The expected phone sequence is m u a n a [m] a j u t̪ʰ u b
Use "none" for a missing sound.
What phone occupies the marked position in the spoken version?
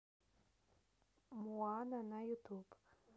n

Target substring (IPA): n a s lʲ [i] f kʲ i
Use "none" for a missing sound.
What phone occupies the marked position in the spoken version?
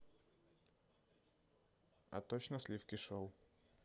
i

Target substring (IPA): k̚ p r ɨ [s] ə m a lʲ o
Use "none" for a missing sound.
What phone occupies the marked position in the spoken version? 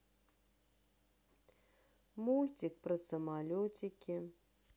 s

